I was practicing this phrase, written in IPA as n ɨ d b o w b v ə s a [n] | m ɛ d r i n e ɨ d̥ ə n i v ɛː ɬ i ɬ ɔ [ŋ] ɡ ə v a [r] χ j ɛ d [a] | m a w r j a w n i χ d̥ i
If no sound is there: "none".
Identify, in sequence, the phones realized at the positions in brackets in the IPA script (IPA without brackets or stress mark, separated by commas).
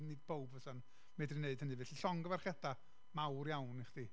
n, ŋ, r, a